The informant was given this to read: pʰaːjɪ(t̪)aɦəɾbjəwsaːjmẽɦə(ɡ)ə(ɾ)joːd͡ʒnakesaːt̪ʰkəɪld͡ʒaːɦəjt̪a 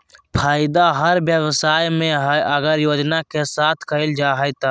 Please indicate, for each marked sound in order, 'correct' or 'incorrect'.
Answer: incorrect: d̪, correct, correct

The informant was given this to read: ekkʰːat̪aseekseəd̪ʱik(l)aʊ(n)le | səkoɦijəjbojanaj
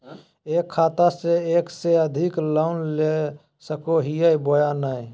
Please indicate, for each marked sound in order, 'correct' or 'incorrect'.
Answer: correct, correct

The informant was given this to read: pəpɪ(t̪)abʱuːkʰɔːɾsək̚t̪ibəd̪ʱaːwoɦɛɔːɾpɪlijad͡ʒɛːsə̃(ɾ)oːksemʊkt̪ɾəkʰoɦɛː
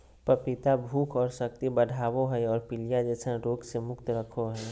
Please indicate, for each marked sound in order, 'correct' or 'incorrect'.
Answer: correct, correct

